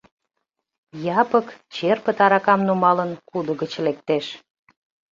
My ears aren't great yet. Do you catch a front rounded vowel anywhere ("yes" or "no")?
no